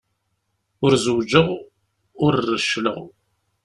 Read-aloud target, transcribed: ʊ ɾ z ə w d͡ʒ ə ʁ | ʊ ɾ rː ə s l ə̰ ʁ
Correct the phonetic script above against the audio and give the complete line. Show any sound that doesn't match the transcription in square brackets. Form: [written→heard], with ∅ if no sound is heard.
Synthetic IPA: ʊ ɾ z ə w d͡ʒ ə ʁ | ʊ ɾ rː ə [s→ʃ] l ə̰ ʁ